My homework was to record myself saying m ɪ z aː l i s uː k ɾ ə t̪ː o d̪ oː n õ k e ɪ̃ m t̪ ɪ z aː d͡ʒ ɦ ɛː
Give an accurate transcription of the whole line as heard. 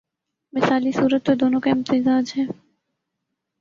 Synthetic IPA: m ɪ s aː l i s uː ɾ ə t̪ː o d̪ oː n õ k a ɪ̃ m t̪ ɪ z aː d͡ʒ ɦ ɛː